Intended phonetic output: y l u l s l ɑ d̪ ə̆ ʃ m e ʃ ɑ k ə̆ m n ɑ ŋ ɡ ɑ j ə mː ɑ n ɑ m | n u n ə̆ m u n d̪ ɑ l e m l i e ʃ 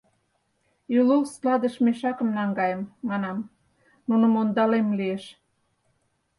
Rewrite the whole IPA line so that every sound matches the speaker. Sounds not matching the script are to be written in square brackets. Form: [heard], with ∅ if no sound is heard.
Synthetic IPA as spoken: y l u l s l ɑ d̪ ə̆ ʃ m e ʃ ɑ k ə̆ m n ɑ ŋ ɡ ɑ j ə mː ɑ n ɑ m | n u n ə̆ m [o] n d̪ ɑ l e m l i e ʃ